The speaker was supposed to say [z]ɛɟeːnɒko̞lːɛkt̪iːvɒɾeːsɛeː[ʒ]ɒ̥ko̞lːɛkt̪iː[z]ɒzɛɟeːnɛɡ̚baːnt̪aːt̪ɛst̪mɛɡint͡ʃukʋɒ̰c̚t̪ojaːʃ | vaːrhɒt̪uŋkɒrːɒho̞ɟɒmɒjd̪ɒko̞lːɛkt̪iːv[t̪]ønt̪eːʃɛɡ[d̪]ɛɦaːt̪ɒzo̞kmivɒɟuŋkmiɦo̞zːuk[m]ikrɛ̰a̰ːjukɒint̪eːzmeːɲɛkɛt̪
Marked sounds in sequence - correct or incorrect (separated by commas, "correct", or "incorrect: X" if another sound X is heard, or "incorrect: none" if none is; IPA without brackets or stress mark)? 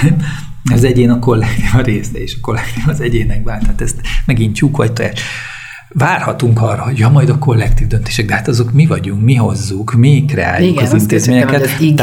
correct, incorrect: ʃ, incorrect: v, incorrect: d̪, correct, correct